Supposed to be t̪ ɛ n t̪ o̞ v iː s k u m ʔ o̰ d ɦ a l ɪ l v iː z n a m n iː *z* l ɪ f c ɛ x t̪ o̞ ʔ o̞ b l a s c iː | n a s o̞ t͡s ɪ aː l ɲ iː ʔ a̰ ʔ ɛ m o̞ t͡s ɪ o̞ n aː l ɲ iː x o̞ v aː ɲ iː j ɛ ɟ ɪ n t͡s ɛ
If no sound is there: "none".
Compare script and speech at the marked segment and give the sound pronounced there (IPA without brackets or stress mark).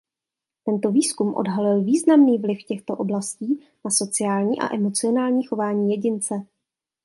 v